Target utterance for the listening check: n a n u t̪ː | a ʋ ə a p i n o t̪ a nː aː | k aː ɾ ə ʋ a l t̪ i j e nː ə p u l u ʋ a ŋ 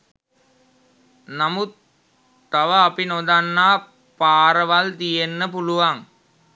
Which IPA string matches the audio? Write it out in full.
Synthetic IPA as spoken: n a m u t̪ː | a ʋ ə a p i n o d̪ a nː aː | p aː ɾ ə ʋ a l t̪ i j e nː ə p u l u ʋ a ŋ